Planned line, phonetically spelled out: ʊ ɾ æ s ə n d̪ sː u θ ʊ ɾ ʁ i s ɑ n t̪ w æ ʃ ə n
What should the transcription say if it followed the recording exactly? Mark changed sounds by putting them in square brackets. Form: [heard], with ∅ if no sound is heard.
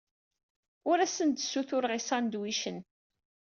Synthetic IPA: ʊ ɾ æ s ə n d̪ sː u θ ʊ ɾ ʁ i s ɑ n [d̪] w [i] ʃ ə n